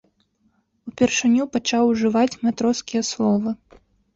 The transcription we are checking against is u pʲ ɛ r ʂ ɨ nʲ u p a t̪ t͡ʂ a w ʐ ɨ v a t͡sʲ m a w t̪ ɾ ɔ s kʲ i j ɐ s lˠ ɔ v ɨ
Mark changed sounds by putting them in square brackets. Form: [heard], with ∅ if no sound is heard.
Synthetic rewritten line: u pʲ ɛ r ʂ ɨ nʲ u p a [∅] t͡ʂ a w ʐ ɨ v a t͡sʲ m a [∅] t̪ ɾ ɔ s kʲ i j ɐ s lˠ ɔ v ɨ